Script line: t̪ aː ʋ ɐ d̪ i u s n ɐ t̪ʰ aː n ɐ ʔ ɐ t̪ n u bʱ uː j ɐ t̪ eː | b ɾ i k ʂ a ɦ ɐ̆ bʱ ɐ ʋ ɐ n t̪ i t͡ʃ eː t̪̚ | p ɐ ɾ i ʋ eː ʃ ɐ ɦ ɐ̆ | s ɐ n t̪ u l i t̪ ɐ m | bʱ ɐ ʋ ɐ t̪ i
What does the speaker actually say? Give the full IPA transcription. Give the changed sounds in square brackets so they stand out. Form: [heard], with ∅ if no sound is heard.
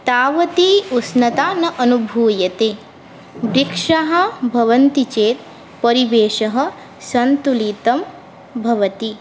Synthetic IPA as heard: t̪ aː ʋ ɐ [t̪] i u s n ɐ [t̪] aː n ɐ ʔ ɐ [∅] n u bʱ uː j ɐ t̪ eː | b ɾ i k ʂ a ɦ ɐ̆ bʱ ɐ ʋ ɐ n t̪ i t͡ʃ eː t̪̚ | p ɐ ɾ i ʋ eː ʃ ɐ ɦ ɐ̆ | s ɐ n t̪ u l i t̪ ɐ m | bʱ ɐ ʋ ɐ t̪ i

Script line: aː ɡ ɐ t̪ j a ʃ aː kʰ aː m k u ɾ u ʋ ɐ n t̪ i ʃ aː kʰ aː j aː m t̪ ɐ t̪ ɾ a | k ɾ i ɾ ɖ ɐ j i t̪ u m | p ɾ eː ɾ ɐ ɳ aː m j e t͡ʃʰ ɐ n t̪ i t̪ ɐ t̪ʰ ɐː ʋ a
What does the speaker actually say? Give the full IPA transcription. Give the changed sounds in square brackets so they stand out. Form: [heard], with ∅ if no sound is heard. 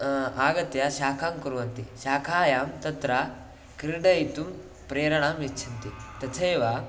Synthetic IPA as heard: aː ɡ ɐ t̪ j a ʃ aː kʰ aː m k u ɾ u ʋ ɐ n t̪ i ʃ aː kʰ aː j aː m t̪ ɐ t̪ ɾ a | k ɾ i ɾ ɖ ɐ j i t̪ u m | p ɾ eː ɾ ɐ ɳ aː m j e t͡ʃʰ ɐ n t̪ i t̪ ɐ t̪ʰ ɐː ʋ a

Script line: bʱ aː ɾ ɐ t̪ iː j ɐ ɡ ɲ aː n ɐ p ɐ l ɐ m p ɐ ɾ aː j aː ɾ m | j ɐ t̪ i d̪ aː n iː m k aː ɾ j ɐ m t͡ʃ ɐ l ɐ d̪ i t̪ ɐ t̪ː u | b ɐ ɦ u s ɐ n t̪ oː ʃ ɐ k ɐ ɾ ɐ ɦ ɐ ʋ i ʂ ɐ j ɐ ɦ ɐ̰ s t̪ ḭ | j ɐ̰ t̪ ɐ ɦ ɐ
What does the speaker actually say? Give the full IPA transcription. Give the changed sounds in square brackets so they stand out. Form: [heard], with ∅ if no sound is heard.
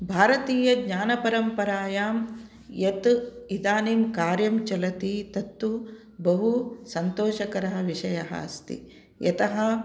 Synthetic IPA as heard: bʱ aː ɾ ɐ t̪ iː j ɐ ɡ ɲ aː n ɐ p ɐ [ɾ] ɐ m p ɐ ɾ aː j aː [∅] m | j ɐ t̪ i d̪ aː n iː m k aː ɾ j ɐ m t͡ʃ ɐ l ɐ [t̪] i t̪ ɐ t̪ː u | b ɐ ɦ u s ɐ n t̪ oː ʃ ɐ k ɐ ɾ ɐ ɦ ɐ ʋ i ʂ ɐ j ɐ ɦ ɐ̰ s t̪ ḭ | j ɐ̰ t̪ ɐ ɦ ɐ

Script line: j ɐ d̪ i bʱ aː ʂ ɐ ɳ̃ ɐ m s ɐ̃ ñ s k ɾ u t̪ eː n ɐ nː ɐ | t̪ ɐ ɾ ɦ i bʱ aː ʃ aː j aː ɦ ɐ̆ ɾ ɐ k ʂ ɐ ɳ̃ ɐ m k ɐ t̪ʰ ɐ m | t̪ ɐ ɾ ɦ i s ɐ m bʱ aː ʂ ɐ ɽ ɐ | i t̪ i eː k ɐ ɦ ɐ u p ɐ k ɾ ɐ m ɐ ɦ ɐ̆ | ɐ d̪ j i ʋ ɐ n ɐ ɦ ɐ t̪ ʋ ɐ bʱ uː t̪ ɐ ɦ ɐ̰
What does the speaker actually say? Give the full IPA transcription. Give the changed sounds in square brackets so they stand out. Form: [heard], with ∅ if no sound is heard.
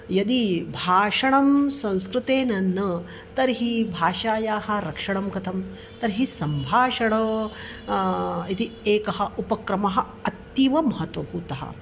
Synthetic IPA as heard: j ɐ d̪ i bʱ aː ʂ ɐ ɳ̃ ɐ m s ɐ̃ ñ s k ɾ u t̪ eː n ɐ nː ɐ | t̪ ɐ ɾ ɦ i bʱ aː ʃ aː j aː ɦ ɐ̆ ɾ ɐ k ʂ ɐ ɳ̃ ɐ m k ɐ t̪ʰ ɐ m | t̪ ɐ ɾ ɦ i s ɐ m bʱ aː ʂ ɐ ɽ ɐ | i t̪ i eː k ɐ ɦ ɐ u p ɐ k ɾ ɐ m ɐ ɦ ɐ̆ | ɐ [t̪] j i ʋ ɐ [m] ɐ ɦ ɐ t̪ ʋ ɐ bʱ uː t̪ ɐ ɦ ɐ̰

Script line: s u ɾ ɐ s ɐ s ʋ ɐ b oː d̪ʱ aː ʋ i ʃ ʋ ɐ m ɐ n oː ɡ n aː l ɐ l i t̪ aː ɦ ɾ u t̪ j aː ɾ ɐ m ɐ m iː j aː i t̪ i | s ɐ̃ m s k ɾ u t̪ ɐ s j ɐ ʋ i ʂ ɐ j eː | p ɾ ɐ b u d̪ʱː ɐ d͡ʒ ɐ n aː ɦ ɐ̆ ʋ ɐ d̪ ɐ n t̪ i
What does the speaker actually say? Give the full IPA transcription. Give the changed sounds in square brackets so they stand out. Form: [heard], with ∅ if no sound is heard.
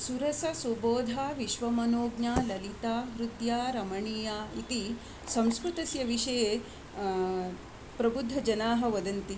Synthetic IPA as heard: s u ɾ ɐ s ɐ s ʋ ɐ b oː d̪ʱ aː ʋ i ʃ ʋ ɐ m ɐ n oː ɡ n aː l ɐ l i t̪ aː ɦ ɾ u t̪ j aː ɾ ɐ m ɐ [ɳ] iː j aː i t̪ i | s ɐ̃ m s k ɾ u t̪ ɐ s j ɐ ʋ i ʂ ɐ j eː | p ɾ ɐ b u d̪ʱː ɐ d͡ʒ ɐ n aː ɦ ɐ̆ ʋ ɐ d̪ ɐ n t̪ i

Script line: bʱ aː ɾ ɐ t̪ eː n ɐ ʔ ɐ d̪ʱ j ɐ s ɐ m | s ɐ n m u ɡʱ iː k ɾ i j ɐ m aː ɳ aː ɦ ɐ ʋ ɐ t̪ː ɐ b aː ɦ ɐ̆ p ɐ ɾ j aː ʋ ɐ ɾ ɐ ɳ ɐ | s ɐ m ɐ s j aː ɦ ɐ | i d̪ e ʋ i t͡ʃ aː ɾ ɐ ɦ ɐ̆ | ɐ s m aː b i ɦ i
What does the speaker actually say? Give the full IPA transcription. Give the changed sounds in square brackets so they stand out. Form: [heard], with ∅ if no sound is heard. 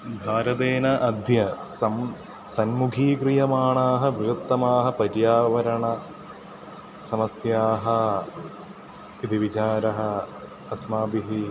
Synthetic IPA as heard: bʱ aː ɾ ɐ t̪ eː n ɐ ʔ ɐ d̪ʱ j ɐ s ɐ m | s ɐ n m u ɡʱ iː k ɾ i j ɐ m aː ɳ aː ɦ ɐ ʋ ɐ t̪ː ɐ [m] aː ɦ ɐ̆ p ɐ ɾ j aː ʋ ɐ ɾ ɐ ɳ ɐ | s ɐ m ɐ s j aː ɦ ɐ | i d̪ [i] ʋ i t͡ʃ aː ɾ ɐ ɦ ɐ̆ | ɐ s m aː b i ɦ i

